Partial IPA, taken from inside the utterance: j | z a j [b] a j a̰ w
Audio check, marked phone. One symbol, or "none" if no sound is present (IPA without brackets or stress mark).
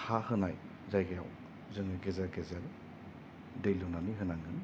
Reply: ɡ